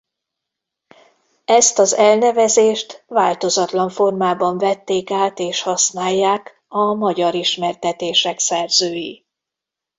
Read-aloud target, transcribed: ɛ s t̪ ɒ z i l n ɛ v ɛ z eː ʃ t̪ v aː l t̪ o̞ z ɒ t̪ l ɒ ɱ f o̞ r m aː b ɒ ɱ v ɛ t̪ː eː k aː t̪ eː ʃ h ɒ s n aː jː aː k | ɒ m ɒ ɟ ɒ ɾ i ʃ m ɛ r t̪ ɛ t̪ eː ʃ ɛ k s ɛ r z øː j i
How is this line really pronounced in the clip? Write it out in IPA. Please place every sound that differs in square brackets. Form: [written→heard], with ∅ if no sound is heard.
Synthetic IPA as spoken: ɛ s t̪ ɒ z [i→ɛ] l n ɛ v ɛ z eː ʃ t̪ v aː l t̪ o̞ z ɒ t̪ l ɒ ɱ f o̞ r m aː b ɒ ɱ v ɛ t̪ː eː k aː t̪ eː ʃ h ɒ s n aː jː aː k | ɒ m ɒ ɟ ɒ ɾ i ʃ m ɛ r t̪ ɛ t̪ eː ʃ ɛ k s ɛ r z øː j i